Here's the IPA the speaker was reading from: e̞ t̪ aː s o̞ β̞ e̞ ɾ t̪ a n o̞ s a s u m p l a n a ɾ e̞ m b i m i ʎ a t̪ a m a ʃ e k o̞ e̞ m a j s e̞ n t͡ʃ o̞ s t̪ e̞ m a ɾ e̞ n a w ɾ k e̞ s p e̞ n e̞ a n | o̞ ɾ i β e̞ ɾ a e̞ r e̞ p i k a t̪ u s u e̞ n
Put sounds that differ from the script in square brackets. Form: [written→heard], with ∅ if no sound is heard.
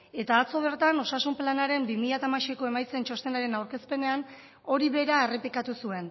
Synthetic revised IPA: e̞ t̪ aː [s→t͡s] o̞ β̞ e̞ ɾ t̪ a n o̞ s a s u m p l a n a ɾ e̞ m b i m i ʎ a t̪ a m a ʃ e k o̞ e̞ m a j [s→t͡s] e̞ n t͡ʃ o̞ s t̪ e̞ [m→n] a ɾ e̞ n a w ɾ k e̞ s p e̞ n e̞ a n | o̞ ɾ i β e̞ ɾ a e̞ r e̞ p i k a t̪ u s u e̞ n